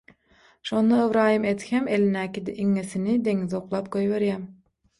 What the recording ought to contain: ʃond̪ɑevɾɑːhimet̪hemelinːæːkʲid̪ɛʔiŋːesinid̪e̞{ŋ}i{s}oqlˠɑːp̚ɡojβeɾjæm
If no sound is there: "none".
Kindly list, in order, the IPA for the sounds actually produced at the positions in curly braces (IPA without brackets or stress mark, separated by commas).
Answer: ŋ, z